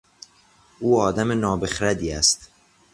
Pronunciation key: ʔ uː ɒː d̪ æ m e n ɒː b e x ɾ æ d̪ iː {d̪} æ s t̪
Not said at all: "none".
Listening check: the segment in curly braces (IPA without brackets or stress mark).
none